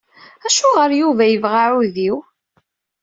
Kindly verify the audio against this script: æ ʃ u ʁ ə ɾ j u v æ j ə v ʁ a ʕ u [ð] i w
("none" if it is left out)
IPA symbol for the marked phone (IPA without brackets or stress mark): ð